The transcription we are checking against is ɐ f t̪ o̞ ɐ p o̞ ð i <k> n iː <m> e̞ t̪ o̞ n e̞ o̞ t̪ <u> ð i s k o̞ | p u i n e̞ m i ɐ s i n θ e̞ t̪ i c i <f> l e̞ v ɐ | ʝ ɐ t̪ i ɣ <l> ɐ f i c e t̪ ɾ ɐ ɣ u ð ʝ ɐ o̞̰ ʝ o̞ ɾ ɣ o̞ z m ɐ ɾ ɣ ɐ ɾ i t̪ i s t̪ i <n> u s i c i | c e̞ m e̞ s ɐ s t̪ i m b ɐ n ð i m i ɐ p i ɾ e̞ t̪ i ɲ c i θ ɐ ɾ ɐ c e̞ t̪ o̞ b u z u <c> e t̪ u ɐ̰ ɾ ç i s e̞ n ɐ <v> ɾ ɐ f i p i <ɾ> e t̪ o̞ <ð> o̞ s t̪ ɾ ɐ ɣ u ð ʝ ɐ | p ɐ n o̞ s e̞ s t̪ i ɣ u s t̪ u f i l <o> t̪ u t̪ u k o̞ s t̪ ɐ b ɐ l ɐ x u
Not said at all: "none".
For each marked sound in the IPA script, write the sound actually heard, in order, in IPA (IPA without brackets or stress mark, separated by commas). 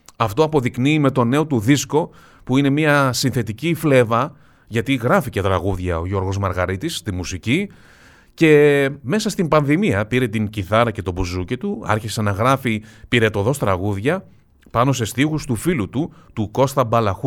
k, m, u, f, ɾ, m, c, ɣ, ɾ, ð, u